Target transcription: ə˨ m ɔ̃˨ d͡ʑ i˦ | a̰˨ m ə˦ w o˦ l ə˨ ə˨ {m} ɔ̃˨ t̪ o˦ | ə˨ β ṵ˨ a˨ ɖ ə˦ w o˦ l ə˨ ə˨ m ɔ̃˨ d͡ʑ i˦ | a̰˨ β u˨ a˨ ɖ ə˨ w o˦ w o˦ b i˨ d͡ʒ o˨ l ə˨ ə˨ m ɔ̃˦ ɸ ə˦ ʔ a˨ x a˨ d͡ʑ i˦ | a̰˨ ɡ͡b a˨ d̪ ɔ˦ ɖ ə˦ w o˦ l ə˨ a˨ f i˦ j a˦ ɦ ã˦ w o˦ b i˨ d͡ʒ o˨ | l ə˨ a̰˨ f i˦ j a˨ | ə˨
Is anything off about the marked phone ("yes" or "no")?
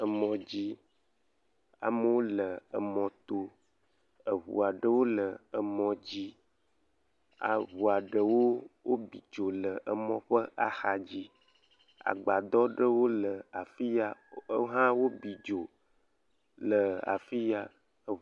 no